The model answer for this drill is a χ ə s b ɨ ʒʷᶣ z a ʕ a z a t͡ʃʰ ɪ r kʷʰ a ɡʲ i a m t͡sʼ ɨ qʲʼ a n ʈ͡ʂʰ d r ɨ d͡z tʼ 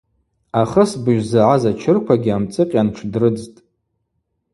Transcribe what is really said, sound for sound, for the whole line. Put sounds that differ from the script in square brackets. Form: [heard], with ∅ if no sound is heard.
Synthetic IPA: a χ ə s b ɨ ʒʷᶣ z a ʕ a z a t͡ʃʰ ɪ r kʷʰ a ɡʲ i a m t͡sʼ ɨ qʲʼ a n ʈ͡ʂʰ d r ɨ d͡z tʼ